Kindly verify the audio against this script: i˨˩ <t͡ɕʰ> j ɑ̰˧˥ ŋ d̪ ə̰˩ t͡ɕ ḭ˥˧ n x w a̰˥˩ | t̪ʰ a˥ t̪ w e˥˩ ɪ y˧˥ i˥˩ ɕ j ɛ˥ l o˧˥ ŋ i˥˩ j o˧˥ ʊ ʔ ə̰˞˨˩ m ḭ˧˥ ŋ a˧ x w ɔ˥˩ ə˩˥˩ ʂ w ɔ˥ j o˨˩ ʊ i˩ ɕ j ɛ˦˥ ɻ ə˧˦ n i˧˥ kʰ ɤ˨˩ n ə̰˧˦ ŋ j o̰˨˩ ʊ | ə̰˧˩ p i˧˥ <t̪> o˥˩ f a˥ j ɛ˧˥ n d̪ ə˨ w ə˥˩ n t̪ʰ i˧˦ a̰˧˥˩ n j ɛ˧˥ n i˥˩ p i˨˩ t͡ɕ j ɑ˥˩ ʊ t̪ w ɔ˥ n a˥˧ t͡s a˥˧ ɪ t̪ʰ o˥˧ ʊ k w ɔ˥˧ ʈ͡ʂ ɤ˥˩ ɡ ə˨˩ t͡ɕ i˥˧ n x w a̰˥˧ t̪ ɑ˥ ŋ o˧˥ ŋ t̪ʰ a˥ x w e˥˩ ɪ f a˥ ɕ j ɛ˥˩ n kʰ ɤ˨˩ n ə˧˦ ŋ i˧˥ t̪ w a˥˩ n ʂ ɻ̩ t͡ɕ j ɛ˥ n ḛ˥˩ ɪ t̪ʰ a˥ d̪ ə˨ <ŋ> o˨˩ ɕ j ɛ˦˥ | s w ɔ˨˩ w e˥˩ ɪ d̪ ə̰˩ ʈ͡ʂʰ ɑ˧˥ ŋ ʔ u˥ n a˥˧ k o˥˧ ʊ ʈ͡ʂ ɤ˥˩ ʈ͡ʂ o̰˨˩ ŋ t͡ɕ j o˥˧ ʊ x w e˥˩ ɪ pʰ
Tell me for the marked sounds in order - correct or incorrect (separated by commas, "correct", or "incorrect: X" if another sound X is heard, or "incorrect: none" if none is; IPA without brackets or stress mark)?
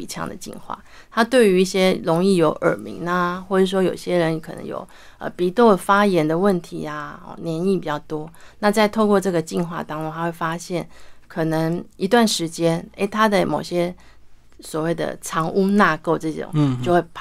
correct, correct, incorrect: m